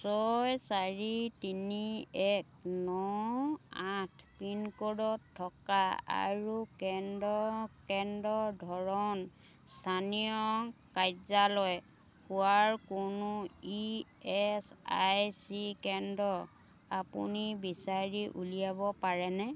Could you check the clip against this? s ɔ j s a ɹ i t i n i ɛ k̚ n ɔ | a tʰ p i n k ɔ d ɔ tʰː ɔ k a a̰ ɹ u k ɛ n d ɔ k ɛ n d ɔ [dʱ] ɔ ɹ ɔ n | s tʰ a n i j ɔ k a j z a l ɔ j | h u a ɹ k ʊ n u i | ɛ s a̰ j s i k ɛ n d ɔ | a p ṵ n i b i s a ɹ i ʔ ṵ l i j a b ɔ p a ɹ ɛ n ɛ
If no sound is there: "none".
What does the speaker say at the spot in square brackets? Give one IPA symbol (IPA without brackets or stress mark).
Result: dʱ